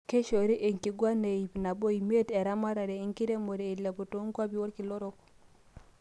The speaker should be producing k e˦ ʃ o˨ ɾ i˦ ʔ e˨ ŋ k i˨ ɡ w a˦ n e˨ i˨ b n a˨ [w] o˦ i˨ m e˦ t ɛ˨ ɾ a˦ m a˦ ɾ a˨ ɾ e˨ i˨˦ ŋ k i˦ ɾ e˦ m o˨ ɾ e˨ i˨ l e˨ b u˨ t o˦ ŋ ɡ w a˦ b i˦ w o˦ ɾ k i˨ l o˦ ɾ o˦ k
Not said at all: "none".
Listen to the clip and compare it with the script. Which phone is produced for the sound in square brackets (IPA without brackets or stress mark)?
b